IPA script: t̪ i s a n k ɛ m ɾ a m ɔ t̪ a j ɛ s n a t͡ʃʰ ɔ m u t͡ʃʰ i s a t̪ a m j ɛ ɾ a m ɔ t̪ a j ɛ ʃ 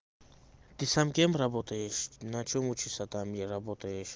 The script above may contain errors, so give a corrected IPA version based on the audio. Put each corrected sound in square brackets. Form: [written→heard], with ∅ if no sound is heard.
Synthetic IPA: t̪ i s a [n→m] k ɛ m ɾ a [m→b] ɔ t̪ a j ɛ [s→ʃ] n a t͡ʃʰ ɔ m u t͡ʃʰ i s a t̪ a m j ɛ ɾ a [m→b] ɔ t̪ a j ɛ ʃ